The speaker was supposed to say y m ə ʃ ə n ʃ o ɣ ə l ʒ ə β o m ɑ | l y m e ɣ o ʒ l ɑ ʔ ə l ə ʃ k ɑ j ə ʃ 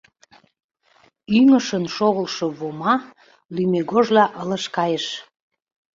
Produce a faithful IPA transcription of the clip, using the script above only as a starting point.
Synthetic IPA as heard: y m ə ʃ ə n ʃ o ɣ ə l ʃ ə β o m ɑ | l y m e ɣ o ʒ l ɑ ʔ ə l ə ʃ k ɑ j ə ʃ